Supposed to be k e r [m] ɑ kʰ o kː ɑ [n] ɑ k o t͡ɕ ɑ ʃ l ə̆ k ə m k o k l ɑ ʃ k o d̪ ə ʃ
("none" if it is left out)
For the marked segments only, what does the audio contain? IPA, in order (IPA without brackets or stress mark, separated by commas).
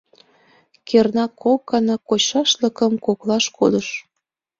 n, n